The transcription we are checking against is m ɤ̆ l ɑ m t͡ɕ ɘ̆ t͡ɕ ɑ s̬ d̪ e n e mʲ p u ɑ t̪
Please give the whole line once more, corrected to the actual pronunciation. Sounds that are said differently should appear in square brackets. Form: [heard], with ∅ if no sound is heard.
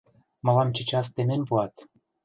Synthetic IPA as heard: m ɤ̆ l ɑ m t͡ɕ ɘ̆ t͡ɕ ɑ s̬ [t̪] e [m] e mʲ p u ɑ t̪